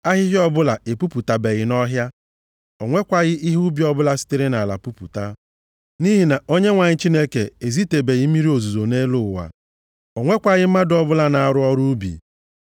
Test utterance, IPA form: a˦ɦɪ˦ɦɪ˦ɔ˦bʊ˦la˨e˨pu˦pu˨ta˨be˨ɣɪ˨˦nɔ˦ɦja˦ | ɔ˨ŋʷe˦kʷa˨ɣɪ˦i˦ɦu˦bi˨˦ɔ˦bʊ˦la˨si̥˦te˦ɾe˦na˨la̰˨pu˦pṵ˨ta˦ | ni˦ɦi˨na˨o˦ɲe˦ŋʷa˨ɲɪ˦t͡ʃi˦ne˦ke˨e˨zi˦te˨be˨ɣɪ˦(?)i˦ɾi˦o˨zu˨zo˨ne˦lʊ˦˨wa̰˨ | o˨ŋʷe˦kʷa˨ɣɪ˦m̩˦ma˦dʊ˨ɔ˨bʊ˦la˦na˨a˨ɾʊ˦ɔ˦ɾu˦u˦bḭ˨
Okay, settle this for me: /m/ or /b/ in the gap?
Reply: m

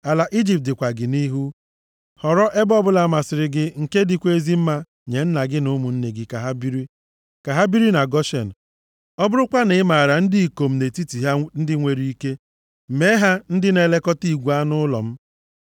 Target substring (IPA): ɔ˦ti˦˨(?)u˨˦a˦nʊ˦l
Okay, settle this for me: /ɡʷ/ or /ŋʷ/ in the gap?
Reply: ɡʷ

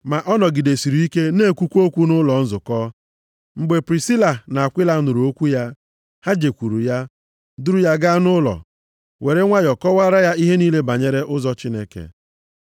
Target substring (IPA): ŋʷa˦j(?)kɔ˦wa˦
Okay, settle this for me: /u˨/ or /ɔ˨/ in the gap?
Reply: ɔ˨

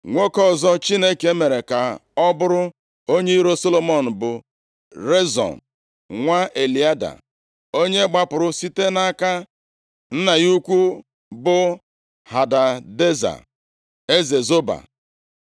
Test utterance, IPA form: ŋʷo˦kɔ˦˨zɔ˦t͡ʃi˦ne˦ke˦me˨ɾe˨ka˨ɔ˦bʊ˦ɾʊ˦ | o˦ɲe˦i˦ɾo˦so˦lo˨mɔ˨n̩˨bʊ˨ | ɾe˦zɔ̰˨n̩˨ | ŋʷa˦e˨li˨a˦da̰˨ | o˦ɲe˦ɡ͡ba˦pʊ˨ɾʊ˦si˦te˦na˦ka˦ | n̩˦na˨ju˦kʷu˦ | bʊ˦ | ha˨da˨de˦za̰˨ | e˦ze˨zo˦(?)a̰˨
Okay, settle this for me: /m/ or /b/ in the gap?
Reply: b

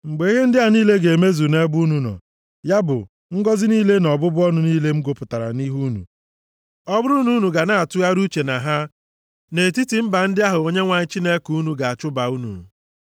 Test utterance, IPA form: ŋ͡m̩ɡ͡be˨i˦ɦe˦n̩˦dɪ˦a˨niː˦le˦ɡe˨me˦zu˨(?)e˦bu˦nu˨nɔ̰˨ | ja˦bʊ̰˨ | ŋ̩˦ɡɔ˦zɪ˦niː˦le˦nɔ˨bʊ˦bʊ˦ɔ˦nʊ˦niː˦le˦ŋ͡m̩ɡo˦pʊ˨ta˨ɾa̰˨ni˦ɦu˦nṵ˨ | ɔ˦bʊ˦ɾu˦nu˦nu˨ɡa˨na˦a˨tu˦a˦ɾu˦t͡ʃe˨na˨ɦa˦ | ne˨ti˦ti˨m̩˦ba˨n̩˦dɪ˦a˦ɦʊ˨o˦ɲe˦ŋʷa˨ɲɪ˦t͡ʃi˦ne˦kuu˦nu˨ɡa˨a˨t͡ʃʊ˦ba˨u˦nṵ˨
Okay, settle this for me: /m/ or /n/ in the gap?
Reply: n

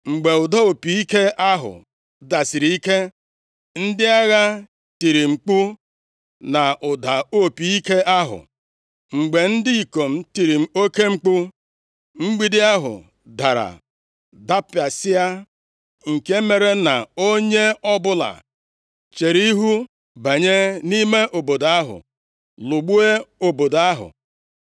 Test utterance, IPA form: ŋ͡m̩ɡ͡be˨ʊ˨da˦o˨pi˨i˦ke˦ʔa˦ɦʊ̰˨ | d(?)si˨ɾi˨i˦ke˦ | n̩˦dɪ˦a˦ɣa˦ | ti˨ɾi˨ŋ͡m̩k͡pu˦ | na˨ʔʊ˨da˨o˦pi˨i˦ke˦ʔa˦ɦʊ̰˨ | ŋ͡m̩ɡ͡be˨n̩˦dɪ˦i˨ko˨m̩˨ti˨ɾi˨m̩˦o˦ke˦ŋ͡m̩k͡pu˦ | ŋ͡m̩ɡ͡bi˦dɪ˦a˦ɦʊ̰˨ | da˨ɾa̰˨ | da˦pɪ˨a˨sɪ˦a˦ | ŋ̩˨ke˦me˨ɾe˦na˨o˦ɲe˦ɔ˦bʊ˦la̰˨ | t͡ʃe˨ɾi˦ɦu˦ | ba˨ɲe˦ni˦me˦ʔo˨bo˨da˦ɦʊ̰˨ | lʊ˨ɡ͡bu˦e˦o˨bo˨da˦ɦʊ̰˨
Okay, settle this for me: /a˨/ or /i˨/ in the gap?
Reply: a˨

